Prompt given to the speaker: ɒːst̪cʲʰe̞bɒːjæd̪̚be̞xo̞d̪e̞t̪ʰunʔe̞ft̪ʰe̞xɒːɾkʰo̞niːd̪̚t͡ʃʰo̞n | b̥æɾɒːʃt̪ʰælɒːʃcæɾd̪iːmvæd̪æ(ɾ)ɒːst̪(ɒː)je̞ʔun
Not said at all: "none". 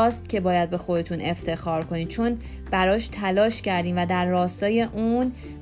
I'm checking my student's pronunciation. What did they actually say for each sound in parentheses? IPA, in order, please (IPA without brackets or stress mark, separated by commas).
ɾː, ɒː